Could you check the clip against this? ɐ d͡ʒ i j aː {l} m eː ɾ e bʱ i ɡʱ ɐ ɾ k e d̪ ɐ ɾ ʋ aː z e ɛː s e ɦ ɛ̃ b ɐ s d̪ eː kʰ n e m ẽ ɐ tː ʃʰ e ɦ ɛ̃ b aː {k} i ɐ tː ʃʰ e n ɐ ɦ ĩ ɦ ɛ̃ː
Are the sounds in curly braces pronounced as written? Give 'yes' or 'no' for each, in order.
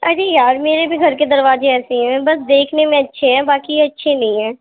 no, yes

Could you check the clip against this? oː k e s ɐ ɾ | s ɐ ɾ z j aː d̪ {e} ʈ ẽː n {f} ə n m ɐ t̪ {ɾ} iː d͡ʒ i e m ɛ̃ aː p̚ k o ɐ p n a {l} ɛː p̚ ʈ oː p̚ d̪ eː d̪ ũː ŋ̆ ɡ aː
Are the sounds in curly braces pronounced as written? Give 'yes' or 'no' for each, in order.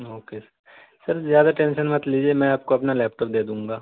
no, no, no, yes

